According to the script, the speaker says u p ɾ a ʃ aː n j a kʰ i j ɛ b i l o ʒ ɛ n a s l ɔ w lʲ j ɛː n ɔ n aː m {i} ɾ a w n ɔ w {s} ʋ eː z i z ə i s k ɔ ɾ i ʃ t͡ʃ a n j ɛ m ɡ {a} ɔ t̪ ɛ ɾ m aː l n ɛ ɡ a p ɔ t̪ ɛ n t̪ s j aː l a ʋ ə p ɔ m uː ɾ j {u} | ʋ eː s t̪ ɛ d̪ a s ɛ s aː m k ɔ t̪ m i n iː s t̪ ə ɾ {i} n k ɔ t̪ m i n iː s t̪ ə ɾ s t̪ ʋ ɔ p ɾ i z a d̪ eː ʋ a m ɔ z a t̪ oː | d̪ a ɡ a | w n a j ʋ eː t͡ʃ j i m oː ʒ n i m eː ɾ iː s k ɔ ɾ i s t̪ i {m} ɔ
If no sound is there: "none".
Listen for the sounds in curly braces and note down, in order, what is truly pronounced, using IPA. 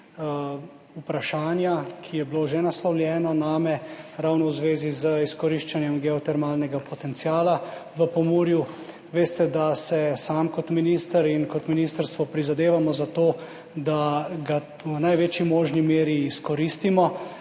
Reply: ɛ, z, ɛ, u, i, m

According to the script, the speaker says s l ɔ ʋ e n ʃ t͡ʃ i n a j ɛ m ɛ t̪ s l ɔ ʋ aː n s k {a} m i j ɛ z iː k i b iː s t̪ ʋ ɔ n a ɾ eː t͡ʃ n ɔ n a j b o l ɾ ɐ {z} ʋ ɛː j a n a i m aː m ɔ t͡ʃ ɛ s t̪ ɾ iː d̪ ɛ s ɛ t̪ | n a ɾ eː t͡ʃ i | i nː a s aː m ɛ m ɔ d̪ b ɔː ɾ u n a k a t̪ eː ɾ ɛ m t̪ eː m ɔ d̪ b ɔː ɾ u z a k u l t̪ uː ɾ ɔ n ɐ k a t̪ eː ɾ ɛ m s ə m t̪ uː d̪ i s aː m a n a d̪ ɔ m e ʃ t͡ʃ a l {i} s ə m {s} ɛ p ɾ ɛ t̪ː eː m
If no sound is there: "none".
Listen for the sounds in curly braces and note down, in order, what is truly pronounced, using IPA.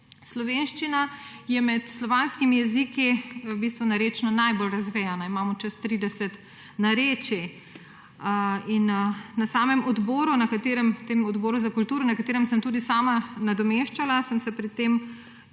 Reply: i, z, a, s

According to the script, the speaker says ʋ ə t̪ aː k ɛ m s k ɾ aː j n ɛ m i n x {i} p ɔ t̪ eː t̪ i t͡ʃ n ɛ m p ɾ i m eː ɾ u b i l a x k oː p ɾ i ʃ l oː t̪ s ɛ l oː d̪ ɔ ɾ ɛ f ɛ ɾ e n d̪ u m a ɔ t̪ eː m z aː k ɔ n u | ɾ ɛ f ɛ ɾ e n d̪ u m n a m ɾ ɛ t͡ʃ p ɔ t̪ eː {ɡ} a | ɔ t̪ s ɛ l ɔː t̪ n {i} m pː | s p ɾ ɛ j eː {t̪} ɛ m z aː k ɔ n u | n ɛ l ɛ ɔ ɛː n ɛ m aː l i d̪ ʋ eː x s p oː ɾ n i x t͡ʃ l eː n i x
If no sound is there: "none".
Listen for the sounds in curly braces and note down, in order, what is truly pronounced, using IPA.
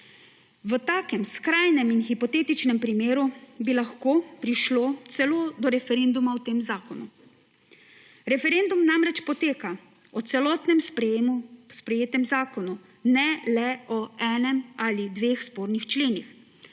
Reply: i, k, ɛ, t̪

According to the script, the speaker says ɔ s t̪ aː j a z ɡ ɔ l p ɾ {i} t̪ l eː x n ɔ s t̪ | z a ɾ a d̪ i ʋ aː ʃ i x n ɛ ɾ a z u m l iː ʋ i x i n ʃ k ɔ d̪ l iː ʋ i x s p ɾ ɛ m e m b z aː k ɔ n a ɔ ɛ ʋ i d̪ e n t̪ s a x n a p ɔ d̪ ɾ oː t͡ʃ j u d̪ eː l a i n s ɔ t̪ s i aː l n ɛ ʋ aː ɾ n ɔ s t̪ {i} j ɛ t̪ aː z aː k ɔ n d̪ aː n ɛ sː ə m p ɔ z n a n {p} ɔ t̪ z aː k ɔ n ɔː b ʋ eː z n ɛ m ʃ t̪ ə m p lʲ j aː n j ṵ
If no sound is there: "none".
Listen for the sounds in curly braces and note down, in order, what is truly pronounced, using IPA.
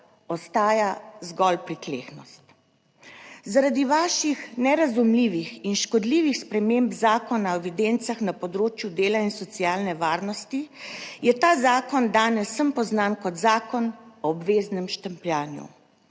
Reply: i, i, k

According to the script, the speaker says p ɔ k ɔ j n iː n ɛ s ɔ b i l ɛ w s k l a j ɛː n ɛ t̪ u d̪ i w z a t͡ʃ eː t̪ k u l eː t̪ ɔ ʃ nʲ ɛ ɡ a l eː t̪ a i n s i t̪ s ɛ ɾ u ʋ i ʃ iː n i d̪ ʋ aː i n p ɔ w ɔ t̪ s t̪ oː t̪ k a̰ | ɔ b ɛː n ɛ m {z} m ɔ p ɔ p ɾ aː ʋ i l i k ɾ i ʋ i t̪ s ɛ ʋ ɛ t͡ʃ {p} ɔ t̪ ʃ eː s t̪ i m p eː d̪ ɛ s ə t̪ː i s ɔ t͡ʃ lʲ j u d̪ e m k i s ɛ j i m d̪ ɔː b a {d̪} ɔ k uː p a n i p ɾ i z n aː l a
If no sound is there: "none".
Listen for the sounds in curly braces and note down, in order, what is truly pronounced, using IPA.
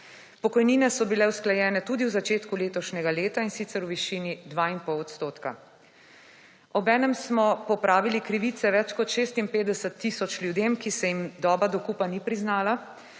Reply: s, k, d̪

